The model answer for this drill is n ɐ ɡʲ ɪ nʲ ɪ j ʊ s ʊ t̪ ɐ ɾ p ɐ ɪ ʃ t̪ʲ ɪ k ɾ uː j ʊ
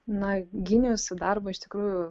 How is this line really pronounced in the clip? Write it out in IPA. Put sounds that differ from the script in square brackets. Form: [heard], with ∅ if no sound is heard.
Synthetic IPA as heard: n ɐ ɡʲ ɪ nʲ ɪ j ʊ s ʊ [d̪] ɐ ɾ [b] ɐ ɪ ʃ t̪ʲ ɪ k ɾ uː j ʊ